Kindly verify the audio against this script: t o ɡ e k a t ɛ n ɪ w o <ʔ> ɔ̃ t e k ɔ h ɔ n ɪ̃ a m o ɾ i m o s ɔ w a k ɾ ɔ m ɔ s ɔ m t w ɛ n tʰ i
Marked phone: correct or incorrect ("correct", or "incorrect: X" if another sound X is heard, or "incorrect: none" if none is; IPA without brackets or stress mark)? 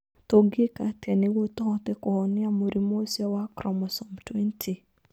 incorrect: t